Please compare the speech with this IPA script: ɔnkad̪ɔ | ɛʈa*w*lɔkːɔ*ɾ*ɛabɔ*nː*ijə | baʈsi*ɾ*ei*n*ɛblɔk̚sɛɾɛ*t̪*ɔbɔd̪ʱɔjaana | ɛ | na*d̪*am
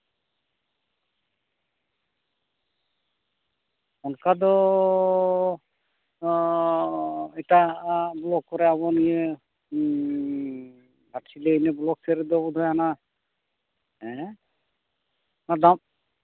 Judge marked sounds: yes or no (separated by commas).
no, yes, no, no, yes, no, yes